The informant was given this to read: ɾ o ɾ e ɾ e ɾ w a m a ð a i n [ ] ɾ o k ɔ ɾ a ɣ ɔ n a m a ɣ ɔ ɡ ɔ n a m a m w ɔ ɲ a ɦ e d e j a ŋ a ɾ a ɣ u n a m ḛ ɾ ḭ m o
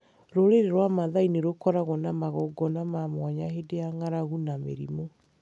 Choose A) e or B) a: A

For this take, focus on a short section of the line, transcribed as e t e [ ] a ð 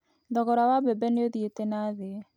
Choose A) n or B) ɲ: A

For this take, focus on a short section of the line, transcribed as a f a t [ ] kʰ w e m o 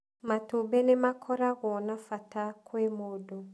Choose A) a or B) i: A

